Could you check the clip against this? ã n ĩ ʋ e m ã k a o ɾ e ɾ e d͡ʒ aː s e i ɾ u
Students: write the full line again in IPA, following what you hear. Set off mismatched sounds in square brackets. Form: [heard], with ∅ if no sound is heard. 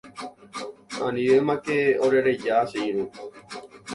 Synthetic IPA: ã n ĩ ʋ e m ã k [e] o ɾ e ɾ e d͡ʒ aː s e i ɾ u